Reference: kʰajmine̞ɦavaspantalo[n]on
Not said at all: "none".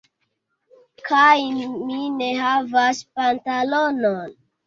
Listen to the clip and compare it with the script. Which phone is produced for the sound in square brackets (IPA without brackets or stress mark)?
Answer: n